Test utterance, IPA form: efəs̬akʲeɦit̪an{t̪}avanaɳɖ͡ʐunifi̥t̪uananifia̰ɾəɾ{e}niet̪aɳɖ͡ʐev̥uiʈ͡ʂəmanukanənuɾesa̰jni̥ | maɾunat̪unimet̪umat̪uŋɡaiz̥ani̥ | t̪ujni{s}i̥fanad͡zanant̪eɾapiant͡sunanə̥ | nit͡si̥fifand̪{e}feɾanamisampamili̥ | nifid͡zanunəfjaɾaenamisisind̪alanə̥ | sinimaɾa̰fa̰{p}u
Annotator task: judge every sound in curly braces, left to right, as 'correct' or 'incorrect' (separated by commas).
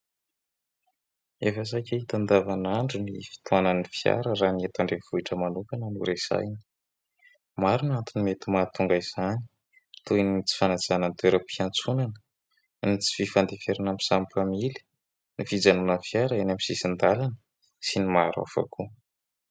incorrect, incorrect, incorrect, correct, incorrect